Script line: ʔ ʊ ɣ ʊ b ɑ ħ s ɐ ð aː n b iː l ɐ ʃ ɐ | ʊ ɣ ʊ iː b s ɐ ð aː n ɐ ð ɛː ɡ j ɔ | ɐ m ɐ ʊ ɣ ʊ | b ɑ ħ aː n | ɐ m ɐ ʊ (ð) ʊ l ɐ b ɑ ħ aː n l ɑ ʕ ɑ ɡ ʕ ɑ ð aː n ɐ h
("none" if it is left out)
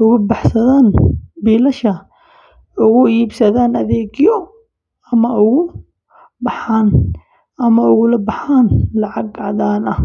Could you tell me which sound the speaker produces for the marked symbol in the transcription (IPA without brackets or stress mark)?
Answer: ɣ